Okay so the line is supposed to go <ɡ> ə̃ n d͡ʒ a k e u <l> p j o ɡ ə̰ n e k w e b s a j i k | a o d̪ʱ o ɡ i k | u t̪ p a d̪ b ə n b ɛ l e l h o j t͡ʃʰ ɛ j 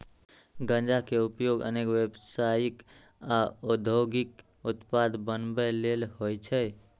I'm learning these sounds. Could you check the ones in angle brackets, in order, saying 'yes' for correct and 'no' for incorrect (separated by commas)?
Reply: yes, no